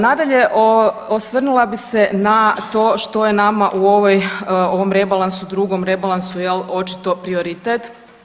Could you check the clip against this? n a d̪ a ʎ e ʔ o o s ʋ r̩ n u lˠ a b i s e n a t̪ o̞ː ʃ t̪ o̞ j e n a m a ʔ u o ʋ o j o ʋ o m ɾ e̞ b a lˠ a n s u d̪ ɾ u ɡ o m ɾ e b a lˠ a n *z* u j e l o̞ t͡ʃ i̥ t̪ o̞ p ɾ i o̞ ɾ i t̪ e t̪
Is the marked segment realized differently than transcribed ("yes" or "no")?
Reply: yes